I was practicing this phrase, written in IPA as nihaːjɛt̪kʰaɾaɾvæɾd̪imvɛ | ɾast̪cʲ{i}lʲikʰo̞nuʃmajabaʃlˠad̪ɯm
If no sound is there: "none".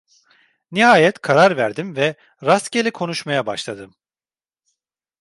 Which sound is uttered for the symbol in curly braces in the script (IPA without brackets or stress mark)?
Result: e